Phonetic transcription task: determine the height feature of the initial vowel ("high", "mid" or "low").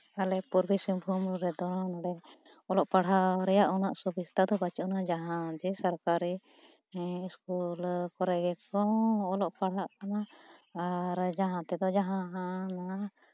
low